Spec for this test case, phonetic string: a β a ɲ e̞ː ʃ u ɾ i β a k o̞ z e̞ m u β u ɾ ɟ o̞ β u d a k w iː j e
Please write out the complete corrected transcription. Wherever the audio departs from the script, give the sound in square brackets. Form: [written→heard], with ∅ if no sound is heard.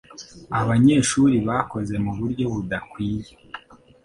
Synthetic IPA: a β a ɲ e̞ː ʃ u ɾ i β a k o̞ z e̞ m u β u ɾ ɟ o̞ β u d a k w iː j e